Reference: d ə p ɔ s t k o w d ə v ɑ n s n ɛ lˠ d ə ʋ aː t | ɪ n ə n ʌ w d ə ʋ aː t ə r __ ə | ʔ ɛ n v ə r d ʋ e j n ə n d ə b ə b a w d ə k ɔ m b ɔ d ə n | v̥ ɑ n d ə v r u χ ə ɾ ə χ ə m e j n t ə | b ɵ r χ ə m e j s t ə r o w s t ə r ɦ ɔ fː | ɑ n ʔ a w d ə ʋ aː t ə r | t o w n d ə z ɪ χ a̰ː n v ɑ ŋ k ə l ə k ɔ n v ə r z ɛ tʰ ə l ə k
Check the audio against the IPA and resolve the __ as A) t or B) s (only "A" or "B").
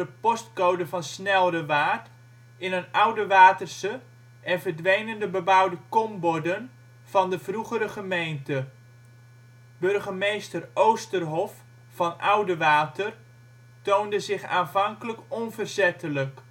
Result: B